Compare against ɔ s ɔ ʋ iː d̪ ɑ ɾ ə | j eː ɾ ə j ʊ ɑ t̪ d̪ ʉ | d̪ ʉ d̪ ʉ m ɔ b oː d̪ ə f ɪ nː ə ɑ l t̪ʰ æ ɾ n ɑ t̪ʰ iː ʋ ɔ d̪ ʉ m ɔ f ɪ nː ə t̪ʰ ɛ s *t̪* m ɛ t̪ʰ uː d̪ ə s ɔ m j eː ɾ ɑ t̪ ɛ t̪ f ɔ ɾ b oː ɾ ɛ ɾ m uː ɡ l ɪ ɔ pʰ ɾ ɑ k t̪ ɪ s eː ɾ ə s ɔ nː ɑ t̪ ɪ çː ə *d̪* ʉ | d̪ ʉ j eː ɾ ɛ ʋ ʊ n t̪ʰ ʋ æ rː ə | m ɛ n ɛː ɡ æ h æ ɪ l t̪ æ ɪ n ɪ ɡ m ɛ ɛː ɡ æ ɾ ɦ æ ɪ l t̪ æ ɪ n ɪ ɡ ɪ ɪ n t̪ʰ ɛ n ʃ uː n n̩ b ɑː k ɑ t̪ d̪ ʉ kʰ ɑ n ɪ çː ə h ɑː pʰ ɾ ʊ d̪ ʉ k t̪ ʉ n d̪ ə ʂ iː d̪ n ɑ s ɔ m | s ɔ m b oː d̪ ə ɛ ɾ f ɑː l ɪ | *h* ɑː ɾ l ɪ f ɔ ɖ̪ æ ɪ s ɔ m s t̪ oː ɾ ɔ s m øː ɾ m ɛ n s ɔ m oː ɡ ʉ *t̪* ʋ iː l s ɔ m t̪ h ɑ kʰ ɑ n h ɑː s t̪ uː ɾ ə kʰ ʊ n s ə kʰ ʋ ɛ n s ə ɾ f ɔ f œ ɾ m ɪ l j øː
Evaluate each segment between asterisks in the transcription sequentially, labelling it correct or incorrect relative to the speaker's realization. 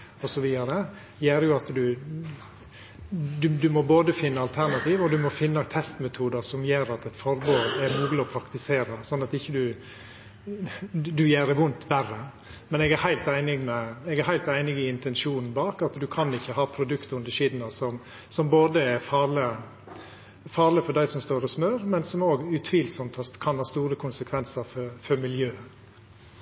correct, correct, incorrect: f, incorrect: t̪ʰ

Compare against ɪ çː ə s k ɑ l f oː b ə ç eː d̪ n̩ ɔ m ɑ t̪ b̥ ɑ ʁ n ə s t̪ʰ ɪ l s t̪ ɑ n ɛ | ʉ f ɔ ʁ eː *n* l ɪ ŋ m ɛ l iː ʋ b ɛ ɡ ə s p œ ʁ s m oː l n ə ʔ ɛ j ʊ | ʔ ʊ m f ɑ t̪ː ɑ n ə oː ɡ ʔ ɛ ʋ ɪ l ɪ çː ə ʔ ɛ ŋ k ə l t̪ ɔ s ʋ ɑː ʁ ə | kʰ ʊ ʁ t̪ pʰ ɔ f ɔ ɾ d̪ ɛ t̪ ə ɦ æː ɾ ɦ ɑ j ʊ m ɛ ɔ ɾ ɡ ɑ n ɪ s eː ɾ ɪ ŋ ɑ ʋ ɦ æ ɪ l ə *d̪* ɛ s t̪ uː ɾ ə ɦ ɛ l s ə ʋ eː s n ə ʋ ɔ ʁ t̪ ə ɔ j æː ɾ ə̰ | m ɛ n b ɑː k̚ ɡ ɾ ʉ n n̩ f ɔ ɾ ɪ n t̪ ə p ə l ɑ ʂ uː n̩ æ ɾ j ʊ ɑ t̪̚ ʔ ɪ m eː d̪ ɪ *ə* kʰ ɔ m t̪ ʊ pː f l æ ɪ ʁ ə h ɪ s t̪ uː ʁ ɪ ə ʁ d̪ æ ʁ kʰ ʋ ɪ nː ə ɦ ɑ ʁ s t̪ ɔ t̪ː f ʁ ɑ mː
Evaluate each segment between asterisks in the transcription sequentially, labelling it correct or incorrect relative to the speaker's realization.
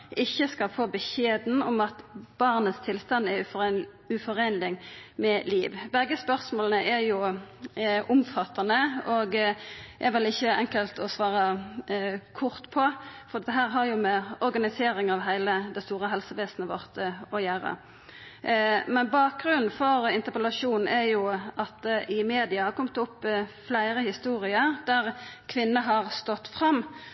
correct, correct, incorrect: ɑ

